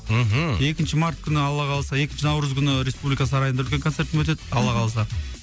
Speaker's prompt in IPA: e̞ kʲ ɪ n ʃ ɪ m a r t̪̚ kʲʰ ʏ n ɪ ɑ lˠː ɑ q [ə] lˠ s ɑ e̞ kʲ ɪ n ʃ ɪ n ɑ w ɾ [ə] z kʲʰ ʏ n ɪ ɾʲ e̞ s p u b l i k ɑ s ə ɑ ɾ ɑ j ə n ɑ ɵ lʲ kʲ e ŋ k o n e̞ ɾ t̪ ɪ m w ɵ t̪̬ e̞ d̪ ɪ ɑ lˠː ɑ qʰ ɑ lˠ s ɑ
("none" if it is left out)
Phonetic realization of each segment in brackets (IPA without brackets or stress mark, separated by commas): ɑ, ə